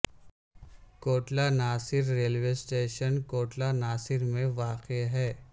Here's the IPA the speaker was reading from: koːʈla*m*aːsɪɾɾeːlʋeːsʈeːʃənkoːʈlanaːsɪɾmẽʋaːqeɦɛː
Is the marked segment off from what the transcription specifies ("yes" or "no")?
yes